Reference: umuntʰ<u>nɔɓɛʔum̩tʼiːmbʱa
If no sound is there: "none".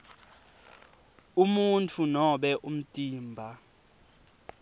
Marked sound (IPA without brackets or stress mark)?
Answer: u